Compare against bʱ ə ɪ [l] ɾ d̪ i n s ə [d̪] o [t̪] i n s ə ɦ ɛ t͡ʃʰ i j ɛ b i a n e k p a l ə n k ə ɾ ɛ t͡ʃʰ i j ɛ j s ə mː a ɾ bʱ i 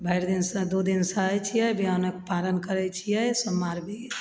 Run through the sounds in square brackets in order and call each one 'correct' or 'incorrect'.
incorrect: none, correct, incorrect: d̪

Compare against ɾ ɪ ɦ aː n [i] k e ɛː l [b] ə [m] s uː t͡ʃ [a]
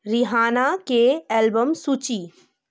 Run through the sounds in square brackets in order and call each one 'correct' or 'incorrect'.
incorrect: a, correct, correct, incorrect: i

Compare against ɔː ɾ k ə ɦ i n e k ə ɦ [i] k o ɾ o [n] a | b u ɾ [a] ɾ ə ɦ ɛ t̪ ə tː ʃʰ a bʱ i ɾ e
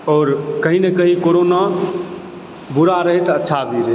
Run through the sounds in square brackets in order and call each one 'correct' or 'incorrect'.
correct, correct, correct

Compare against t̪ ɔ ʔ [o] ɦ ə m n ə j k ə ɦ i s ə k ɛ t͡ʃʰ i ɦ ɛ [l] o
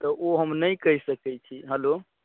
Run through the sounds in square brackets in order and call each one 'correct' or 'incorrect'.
correct, correct

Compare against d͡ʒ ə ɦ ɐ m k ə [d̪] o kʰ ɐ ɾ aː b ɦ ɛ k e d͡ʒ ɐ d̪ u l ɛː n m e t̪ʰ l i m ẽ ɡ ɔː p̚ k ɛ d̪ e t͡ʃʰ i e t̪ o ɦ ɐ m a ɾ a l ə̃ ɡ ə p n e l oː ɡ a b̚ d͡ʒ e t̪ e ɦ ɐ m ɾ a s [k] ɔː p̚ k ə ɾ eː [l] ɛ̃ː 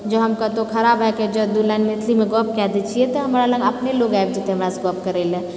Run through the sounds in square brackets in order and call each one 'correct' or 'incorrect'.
incorrect: t̪, incorrect: ɡ, correct

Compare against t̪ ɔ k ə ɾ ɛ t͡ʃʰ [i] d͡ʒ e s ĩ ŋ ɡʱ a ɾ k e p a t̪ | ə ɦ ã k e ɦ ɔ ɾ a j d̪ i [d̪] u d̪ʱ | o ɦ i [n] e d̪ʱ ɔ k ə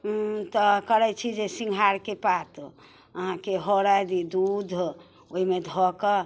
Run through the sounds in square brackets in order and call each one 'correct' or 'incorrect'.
correct, correct, incorrect: m

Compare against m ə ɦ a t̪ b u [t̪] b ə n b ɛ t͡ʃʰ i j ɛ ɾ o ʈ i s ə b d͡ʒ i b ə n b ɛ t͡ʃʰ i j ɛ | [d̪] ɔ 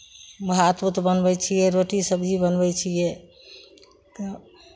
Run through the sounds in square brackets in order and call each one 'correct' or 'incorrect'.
correct, incorrect: t̪

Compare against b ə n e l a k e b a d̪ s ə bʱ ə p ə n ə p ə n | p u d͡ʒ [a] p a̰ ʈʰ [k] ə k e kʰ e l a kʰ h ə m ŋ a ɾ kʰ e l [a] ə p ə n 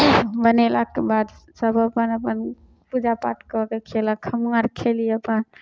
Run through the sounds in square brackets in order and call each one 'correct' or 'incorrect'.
correct, correct, incorrect: i

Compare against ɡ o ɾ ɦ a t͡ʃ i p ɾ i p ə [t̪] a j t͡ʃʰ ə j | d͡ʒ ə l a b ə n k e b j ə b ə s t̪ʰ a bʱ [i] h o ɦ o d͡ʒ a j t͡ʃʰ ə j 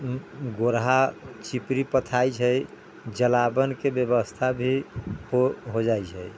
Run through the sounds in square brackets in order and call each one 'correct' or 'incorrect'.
incorrect: t̪ʰ, correct

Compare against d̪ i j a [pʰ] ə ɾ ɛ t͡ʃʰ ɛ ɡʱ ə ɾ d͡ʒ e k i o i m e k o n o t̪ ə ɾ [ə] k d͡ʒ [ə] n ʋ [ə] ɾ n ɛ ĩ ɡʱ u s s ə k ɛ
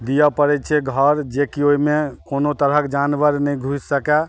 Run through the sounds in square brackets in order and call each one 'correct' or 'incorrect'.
incorrect: p, correct, incorrect: a, correct

